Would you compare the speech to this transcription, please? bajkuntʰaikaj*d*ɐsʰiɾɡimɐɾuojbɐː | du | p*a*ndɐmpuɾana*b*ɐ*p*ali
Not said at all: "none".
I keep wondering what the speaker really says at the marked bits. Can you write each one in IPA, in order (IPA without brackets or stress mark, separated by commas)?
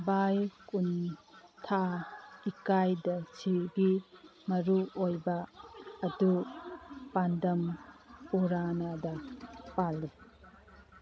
d, a, d, p